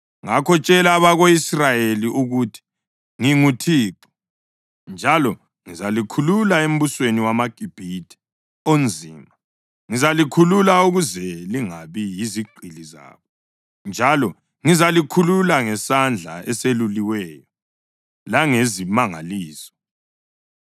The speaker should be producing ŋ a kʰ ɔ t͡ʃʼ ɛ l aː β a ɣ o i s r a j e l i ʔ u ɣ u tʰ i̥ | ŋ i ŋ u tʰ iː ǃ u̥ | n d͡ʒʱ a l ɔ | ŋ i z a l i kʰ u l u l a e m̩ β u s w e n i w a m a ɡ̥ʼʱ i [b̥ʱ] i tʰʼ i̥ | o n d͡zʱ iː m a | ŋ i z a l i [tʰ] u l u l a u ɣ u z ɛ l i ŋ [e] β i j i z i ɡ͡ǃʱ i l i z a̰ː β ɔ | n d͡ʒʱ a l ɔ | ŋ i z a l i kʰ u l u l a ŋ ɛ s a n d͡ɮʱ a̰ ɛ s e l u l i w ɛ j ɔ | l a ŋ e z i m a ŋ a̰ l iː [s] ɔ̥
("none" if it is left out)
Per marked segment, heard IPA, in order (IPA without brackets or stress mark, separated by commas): b̥ʱ, kʰ, a, s